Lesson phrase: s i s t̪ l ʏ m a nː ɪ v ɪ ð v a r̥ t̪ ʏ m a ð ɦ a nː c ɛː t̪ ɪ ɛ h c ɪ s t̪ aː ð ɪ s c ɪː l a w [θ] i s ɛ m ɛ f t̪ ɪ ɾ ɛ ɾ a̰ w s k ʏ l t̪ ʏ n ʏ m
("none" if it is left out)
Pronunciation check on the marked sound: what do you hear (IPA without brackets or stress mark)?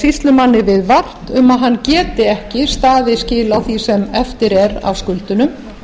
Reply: θ